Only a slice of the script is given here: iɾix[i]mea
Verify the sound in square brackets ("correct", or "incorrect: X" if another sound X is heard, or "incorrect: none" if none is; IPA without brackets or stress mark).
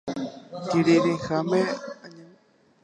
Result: incorrect: a